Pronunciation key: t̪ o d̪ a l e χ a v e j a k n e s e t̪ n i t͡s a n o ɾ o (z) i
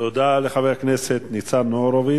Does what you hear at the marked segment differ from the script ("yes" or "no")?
yes